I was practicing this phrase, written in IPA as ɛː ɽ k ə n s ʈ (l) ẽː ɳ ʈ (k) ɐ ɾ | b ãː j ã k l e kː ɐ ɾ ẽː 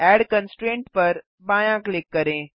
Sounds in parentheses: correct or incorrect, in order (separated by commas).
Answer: incorrect, incorrect